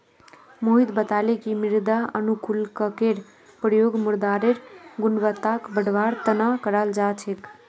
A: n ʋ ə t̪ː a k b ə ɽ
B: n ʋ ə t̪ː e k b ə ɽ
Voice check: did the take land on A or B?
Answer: A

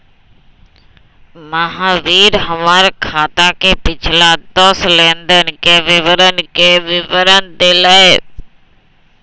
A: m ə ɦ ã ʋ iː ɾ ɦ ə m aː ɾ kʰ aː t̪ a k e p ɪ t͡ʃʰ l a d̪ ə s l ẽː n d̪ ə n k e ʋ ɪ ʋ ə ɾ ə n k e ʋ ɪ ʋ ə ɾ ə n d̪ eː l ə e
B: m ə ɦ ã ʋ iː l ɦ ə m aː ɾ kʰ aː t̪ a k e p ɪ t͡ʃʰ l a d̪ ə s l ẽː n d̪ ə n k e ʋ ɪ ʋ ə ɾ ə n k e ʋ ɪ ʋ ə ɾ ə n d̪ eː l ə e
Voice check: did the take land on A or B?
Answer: A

